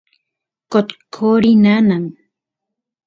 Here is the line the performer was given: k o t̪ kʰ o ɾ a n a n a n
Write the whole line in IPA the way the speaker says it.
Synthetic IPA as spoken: k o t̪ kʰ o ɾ i n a n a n